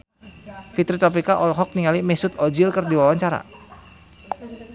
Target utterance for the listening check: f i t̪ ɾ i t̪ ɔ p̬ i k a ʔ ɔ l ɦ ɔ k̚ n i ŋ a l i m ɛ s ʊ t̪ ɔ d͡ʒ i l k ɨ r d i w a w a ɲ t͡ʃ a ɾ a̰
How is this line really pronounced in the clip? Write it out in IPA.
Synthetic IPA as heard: f i t̪ ɾ i t̪ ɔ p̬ i k a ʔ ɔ l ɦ ɔ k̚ n i ŋ a l i m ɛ s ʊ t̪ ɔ d͡ʒ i l k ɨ r d i w a w a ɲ t͡ʃ a ɾ a̰